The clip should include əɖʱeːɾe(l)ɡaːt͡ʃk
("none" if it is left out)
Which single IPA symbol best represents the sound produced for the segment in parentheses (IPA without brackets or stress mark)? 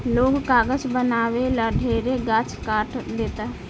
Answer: none